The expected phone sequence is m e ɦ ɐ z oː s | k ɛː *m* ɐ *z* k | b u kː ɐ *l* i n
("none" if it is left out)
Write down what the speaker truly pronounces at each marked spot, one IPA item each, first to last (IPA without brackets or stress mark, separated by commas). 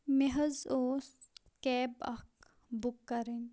b, none, ɾ